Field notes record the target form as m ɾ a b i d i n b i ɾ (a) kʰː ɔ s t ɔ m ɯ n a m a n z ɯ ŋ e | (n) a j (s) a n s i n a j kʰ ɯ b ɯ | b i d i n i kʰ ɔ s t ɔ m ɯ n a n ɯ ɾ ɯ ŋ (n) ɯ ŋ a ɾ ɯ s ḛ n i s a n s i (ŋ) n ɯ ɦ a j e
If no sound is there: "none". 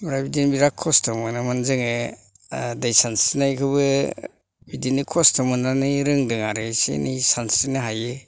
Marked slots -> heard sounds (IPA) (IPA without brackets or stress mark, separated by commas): a, d, s, d, none